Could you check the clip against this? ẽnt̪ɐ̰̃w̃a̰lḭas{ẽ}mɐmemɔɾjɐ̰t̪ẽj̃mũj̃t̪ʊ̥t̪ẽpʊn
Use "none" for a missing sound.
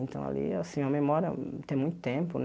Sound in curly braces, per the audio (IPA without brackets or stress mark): ĩ